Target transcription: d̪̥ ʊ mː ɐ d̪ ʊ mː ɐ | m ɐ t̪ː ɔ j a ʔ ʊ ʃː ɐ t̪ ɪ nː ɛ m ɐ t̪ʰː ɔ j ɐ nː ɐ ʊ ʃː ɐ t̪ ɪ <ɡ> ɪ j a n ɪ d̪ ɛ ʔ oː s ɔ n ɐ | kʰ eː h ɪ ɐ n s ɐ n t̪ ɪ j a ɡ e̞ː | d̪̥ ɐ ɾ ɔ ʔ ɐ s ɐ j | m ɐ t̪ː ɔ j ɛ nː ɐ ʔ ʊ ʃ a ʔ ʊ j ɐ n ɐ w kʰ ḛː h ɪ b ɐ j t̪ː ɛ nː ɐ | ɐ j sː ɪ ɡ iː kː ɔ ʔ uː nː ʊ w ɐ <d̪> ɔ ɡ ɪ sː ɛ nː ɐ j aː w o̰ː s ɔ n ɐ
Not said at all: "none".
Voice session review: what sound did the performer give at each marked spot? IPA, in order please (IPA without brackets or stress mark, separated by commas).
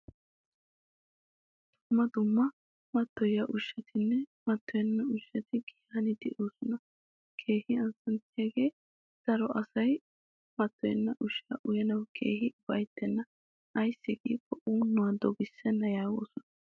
ɡ, d̪